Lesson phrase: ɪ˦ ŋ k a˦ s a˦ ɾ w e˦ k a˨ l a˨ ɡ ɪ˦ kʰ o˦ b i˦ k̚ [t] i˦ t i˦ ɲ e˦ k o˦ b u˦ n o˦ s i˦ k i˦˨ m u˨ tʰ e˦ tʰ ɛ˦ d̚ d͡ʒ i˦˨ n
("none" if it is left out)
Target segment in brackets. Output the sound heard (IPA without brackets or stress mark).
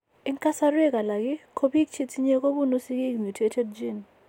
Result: t͡ʃ